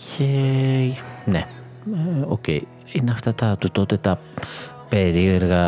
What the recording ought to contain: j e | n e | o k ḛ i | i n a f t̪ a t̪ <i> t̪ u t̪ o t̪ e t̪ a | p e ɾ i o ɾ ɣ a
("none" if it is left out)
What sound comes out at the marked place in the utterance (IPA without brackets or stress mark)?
a